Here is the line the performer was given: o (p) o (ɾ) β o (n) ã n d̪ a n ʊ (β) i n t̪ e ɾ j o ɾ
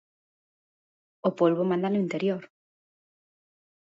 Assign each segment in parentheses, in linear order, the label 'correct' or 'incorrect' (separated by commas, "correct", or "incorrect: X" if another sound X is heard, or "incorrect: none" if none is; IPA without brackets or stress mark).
correct, incorrect: l, incorrect: m, incorrect: none